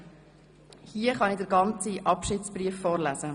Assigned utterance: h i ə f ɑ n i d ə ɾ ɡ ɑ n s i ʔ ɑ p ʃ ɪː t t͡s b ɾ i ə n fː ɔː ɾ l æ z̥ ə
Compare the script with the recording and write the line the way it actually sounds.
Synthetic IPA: h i ə χ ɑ n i d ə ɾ ɡ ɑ n t͡s i ʔ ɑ p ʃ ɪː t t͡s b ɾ i ə fː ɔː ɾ l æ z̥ ə

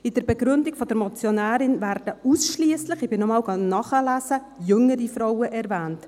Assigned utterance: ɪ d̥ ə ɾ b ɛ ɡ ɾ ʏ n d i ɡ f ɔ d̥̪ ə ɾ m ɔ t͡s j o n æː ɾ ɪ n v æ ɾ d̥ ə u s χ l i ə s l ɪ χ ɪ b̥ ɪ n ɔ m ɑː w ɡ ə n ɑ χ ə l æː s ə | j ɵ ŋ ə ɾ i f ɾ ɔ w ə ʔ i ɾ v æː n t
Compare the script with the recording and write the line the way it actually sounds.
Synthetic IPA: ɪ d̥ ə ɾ b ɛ ɡ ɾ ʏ n d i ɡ f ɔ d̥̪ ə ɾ m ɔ t͡s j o n æː ɾ ɪ n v æ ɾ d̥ ə u s ʃ l i ə s l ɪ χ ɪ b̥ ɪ n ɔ m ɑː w ɡ ɑ n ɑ χ ə l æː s ə | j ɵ ŋ ə ɾ i f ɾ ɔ w ə ʔ ɛ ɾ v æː n t

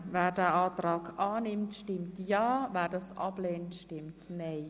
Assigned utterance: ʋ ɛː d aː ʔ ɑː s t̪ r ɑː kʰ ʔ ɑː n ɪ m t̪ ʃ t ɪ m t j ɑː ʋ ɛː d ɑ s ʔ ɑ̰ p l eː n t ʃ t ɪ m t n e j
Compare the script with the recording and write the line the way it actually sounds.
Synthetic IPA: ʋ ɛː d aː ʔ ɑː t̪ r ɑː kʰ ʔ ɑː n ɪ m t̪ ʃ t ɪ m t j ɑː ʋ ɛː d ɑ s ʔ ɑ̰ p l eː n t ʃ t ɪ m t n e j

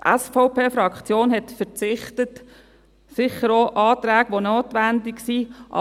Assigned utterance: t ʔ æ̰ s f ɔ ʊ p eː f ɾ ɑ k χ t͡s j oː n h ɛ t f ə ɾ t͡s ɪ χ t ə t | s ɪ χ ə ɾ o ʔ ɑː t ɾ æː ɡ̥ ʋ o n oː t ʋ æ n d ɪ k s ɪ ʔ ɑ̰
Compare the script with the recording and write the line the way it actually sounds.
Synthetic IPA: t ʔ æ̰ s f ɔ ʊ p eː f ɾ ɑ k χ t͡s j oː n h ɛ t f ə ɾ t͡s ɪ χ t ə t | s ɪ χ ə ɾ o ʔ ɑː t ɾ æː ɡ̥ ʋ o n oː t ʋ æ n d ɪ k s i ʔ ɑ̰

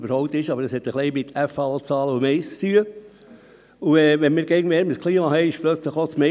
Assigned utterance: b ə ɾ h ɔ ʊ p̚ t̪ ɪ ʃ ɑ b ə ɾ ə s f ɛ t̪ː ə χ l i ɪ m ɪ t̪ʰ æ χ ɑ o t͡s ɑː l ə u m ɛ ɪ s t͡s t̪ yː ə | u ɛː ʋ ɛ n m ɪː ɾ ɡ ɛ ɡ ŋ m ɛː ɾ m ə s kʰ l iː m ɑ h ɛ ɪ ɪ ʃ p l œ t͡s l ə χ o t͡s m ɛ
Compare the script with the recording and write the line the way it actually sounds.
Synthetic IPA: b ə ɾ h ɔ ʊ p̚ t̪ ɪ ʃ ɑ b ə ɾ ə s h ɛ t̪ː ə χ l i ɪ m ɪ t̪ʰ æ f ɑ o t͡s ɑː l ə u m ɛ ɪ s t͡s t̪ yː ə | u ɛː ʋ ɛ n m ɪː ɾ ɡ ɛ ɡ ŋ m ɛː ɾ m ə s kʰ l iː m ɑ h ɛ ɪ ɪ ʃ p l œ t͡s l ə χ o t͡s m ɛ

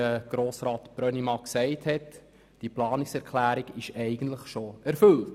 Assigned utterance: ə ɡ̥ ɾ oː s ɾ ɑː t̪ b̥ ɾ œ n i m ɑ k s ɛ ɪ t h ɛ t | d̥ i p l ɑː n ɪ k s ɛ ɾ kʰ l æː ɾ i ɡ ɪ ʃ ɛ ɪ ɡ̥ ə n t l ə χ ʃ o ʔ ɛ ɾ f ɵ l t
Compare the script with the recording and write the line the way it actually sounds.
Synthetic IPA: ə ɡ̥ ɾ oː s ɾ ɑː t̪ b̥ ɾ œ n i m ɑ k s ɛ ɪ t h ɛ t | d̥ i p l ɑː n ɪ k s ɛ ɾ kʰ l æː ɾ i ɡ ɪ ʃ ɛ ɪ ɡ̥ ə n t l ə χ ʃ o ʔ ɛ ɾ f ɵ l t

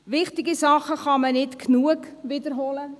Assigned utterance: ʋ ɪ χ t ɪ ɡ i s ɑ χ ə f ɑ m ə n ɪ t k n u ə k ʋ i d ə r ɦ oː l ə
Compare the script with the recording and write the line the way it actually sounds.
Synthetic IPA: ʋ ɪ χ t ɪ ɡ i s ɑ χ ə χ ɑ m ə n ɪ t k n u ə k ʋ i d ə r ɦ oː l ə

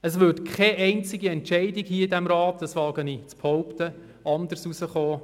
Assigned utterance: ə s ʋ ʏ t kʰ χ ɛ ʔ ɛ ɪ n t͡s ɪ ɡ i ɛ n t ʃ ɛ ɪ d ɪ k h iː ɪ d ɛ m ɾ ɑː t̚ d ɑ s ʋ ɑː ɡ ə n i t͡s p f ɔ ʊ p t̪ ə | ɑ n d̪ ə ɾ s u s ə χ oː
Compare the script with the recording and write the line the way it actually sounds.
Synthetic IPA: ə s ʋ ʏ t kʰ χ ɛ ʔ ɛ ɪ n t͡s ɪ ɡ i ɛ n t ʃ ɛ ɪ d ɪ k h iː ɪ d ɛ m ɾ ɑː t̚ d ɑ s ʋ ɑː ɡ ə n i t͡s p h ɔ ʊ p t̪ ə | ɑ n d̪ ə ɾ s u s ə χ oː

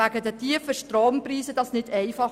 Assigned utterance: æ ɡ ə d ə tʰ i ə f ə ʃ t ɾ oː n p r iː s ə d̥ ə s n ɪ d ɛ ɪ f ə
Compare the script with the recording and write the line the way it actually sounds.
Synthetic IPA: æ ɡ ə d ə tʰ i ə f ə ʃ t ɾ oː m p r iː s ə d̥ ɑ s n ɪ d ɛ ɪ f ɑ

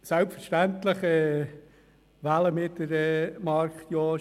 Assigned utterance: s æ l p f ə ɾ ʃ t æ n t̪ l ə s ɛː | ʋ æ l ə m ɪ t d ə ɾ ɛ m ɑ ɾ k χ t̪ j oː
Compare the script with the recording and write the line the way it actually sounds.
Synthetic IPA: s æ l p f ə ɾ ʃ t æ n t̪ l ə χ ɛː | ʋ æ l ə m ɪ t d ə ɾ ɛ m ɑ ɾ k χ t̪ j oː

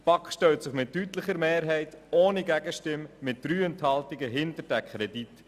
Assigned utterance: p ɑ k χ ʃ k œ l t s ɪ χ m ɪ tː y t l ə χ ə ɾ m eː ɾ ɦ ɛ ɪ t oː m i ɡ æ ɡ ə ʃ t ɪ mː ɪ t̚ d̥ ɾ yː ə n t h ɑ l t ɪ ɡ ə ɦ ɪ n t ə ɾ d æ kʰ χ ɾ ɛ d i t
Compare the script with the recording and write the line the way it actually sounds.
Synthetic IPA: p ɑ k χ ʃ t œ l t s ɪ χ m ɪ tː y t l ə χ ə ɾ m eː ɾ ɦ ɛ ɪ t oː n i ɡ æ ɡ ə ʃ t ɪ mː ɪ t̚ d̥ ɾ yː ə n t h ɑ l t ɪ ɡ ə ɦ ɪ n t ə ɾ d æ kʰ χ ɾ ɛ d i t

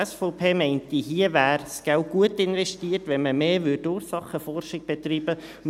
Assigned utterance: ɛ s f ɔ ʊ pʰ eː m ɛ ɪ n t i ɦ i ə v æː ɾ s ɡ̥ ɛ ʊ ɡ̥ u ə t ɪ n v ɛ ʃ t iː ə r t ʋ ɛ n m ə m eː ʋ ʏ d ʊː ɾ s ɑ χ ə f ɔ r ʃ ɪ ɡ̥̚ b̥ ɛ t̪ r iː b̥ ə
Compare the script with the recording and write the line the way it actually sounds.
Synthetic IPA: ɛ s f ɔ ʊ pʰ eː m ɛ ɪ n t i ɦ i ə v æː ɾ s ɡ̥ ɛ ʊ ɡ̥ u ə t ɪ n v ɛ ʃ t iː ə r t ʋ ɛ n m ə m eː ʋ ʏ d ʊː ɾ s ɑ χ ə f ɔ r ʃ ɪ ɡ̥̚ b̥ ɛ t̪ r iː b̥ ə

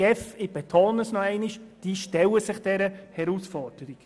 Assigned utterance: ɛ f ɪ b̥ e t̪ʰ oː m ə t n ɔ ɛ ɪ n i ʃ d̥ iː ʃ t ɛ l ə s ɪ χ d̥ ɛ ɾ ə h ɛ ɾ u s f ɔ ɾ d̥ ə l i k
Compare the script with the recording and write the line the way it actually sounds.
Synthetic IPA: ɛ f ɪ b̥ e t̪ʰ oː n ə s n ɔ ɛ ɪ n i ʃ d̥ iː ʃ t ɛ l ə s ɪ χ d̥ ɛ ɾ ə h ɛ ɾ u s f ɔ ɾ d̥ ə ɾ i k

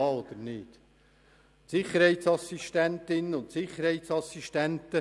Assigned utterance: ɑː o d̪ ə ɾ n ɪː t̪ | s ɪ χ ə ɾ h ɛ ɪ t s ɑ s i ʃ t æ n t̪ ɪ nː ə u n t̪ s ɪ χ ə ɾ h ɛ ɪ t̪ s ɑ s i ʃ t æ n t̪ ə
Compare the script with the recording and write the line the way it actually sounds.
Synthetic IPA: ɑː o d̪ ə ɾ n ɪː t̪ | s ɪ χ ə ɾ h ɛ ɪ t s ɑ s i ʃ t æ n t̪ ɪ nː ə ʊ n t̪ s ɪ χ ə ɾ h ɛ ɪ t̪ s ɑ s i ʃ t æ n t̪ ə

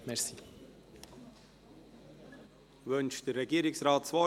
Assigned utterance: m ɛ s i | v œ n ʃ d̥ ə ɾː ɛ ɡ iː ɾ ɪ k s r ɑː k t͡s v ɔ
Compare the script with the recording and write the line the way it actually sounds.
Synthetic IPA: m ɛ s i | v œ n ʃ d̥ ə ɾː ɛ ɡ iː ɾ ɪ k s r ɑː t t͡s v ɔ

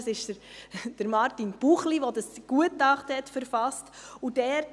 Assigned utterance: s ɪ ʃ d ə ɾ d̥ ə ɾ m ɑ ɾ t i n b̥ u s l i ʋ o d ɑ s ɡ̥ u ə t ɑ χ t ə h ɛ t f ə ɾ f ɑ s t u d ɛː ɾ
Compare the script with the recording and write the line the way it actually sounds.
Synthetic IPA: s ɪ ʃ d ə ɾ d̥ ə ɾ m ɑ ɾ t i n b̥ u χ l i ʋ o d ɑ s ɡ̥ u ə t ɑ χ t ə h ɛ t f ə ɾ f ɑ s t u d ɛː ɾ

